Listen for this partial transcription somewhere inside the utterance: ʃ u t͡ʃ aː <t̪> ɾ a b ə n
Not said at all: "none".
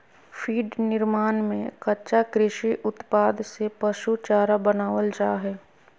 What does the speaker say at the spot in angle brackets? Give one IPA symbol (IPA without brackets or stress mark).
none